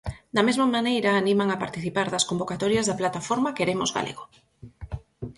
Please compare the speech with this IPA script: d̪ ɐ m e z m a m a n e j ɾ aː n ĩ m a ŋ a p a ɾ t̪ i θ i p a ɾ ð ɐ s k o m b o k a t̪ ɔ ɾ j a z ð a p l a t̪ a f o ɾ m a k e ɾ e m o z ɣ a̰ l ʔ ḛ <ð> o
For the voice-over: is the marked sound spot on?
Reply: no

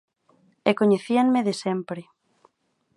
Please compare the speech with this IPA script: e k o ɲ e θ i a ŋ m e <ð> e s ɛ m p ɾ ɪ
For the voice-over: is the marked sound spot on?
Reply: yes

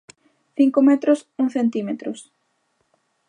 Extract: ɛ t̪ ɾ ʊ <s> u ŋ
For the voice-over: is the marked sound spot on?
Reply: yes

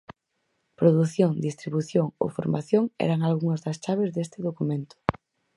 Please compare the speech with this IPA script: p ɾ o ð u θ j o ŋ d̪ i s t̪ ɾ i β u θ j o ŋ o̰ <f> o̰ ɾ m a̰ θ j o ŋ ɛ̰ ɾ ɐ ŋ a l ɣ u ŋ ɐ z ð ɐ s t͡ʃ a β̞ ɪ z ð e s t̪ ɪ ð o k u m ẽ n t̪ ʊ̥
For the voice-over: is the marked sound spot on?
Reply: yes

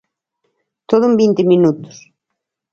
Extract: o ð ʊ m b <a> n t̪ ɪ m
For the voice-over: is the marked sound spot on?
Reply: no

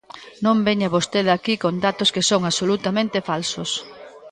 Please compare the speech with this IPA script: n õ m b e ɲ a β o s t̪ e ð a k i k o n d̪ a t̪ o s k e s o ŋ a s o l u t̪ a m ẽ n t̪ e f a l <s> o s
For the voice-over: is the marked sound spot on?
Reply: yes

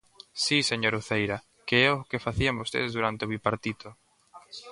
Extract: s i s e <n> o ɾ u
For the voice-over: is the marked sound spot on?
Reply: no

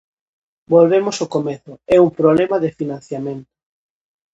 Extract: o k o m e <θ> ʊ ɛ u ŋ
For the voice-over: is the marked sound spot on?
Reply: yes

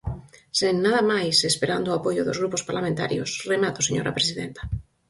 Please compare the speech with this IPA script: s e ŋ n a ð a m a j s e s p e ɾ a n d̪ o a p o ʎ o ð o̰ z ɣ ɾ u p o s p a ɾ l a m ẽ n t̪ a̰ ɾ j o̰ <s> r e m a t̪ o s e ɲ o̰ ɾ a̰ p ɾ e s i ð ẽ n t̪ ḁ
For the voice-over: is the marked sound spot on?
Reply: yes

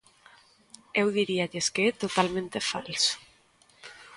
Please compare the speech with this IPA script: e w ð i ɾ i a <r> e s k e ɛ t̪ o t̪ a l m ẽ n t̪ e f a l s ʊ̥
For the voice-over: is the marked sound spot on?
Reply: no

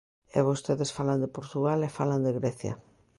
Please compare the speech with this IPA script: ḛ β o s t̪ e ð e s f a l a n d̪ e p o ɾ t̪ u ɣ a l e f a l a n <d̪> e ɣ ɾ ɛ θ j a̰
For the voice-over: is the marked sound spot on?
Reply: yes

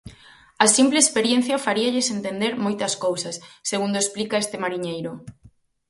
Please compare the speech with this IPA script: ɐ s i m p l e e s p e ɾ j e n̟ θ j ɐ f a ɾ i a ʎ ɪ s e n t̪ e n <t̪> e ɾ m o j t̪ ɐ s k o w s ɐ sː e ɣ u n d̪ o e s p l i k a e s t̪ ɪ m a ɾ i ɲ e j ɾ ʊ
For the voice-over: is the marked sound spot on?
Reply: no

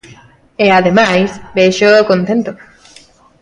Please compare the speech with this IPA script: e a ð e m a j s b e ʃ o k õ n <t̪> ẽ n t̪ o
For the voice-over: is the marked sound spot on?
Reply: yes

